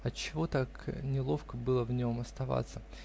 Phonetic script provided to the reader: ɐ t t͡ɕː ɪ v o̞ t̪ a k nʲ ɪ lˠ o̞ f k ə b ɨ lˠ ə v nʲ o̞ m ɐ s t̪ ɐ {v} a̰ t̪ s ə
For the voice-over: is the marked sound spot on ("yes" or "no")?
yes